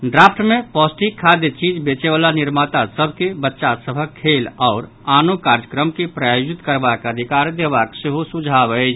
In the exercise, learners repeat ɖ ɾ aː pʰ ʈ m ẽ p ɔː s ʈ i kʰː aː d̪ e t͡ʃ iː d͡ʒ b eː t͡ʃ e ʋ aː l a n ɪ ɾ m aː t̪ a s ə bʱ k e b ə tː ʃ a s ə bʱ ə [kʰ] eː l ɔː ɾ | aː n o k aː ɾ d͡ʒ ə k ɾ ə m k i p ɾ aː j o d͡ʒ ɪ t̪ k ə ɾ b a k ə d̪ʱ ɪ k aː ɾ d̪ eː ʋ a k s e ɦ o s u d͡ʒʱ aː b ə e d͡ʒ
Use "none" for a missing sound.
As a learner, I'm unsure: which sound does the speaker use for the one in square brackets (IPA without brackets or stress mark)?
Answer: kʰ